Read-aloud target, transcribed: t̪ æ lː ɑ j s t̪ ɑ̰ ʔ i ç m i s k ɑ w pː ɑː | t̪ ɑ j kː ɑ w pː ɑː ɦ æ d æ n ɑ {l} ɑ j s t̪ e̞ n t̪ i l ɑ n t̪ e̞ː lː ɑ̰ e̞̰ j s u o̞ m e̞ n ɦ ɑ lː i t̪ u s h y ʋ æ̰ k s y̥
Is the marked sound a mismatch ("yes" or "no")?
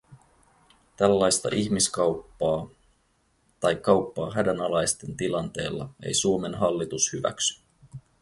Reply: no